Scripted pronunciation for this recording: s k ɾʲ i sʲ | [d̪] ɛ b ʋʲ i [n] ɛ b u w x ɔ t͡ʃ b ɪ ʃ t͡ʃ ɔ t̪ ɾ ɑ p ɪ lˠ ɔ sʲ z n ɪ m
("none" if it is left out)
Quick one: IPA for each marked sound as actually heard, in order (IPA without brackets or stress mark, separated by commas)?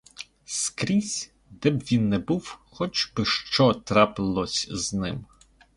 d̪, nː